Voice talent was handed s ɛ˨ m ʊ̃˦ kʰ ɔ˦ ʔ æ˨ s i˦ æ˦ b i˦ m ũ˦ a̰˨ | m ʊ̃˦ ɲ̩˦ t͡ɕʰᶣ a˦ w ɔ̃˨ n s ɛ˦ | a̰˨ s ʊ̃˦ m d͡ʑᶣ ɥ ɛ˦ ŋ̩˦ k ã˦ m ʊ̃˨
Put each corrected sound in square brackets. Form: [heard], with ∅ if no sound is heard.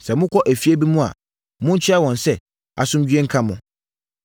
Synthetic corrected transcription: s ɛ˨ m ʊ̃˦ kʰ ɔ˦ ʔ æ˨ [f] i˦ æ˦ b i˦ m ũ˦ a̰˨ | m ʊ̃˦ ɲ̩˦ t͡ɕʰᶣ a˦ w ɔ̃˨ n s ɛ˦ | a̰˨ s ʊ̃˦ m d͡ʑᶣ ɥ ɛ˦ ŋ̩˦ [kʰ] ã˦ m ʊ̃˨